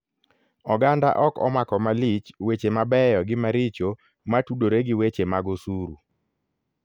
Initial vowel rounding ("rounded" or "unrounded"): rounded